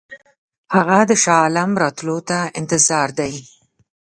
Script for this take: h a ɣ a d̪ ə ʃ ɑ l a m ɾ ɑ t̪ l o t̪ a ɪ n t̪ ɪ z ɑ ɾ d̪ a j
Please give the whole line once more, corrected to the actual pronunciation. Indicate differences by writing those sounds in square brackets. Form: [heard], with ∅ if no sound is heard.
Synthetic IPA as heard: h a ɣ a d̪ ə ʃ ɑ l a m ɾ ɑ t̪ l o t̪ a ɪ n t̪ ɪ z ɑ ɾ d̪ a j

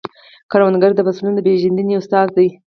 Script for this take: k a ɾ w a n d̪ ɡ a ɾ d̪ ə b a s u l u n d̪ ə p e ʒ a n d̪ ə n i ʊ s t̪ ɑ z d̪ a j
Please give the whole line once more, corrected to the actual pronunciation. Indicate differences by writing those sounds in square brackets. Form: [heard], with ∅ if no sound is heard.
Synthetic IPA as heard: k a ɾ w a n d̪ ɡ a ɾ d̪ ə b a s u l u n d̪ ə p e ʒ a n d̪ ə n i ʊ s t̪ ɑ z d̪ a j

